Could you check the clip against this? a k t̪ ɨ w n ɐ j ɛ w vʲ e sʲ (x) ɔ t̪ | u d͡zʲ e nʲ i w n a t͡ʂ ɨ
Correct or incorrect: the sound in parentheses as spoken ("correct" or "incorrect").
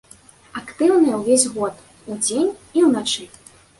incorrect